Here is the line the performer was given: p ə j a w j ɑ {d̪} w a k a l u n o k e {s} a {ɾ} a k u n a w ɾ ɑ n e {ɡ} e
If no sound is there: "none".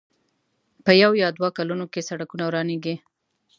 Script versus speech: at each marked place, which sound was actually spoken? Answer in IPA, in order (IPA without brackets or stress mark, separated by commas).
d̪, s, ɽ, ɡ